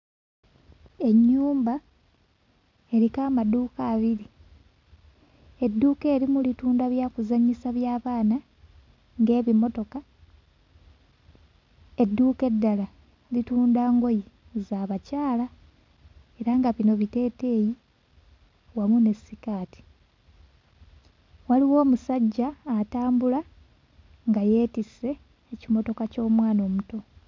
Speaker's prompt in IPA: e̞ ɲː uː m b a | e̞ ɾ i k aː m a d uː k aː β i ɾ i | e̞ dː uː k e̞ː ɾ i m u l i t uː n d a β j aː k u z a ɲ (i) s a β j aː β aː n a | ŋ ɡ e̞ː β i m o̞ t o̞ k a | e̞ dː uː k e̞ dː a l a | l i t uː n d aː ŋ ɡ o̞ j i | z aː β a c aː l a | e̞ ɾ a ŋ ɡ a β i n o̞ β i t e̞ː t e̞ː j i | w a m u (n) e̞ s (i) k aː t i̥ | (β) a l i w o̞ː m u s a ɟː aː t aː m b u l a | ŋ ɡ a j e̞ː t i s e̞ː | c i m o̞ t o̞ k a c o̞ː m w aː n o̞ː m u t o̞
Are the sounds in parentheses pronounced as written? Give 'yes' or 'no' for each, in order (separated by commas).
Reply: yes, yes, yes, no